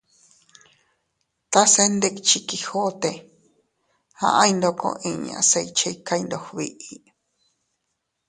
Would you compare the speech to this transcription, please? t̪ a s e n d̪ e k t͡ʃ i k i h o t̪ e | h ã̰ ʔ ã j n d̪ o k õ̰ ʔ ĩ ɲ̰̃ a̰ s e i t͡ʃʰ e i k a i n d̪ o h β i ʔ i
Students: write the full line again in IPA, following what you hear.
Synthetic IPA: t̪ a s e n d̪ e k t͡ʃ i k i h o t̪ e | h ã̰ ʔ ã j n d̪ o k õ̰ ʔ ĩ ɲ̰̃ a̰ s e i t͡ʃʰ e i k a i n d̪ o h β i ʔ i